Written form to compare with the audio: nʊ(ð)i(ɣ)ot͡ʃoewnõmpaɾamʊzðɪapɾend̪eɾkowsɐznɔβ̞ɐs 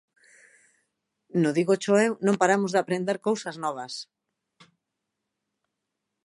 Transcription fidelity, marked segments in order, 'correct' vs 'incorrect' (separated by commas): correct, correct